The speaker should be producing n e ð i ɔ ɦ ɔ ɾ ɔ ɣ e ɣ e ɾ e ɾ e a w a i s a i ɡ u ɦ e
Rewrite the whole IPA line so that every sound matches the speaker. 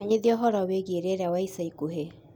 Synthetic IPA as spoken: ɲ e ð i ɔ ɦ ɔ ɾ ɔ w e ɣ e ɾ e ɾ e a w a i s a i k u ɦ e